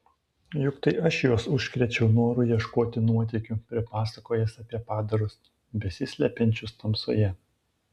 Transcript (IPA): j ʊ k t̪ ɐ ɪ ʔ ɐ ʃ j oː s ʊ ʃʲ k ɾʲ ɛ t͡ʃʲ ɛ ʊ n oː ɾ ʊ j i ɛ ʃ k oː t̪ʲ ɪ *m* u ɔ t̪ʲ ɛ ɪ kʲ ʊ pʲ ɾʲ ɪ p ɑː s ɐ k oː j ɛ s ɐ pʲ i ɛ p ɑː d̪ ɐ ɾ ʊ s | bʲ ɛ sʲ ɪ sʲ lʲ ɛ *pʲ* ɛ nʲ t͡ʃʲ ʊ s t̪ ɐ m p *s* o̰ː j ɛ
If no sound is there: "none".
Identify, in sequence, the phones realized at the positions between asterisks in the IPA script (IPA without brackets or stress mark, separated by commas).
n, pʲ, s